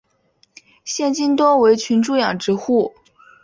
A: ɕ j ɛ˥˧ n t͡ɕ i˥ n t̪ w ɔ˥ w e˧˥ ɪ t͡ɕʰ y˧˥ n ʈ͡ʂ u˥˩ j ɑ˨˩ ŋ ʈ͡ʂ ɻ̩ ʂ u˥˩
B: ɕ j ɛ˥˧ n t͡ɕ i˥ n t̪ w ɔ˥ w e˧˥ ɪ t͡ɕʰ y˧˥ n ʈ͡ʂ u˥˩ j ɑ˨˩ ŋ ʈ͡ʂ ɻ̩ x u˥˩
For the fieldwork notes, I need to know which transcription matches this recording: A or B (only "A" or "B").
B